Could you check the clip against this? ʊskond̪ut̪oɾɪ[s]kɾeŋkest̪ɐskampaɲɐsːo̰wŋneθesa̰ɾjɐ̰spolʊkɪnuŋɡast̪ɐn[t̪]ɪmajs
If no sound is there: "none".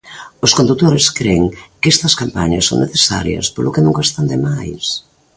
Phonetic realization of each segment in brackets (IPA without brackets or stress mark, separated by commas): s, d̪